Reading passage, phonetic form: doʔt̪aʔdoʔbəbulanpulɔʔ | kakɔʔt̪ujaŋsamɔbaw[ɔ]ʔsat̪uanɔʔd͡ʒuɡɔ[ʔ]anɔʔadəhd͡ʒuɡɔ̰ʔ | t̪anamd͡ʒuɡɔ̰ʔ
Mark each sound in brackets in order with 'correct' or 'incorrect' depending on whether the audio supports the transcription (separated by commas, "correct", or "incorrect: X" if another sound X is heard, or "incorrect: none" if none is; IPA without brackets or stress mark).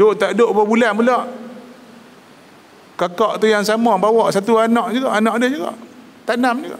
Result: correct, correct